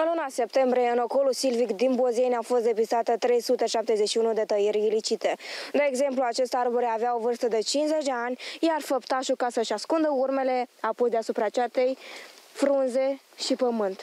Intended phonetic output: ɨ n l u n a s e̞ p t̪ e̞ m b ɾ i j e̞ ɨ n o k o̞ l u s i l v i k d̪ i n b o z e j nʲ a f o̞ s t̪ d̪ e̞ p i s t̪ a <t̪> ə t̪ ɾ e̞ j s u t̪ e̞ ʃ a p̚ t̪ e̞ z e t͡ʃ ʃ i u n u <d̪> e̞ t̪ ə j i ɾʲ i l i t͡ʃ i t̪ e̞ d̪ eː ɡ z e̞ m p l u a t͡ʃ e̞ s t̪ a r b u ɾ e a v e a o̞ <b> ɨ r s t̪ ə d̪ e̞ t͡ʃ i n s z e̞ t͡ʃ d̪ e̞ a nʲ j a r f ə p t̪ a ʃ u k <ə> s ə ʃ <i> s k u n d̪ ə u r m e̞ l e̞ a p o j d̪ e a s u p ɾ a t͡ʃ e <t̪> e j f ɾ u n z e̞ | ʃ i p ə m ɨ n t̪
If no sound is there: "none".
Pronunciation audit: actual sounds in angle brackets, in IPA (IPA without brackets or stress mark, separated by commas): t̪, d̪, v, a, a, t̪